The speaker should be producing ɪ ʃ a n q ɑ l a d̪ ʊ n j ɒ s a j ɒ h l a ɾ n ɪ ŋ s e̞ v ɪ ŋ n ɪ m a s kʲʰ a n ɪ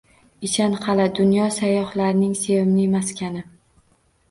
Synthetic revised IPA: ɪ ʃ a n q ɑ l a d̪ ʊ n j ɒ s a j ɒ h l a ɾ n ɪ ŋ s e̞ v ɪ m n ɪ m a s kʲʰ a n ɪ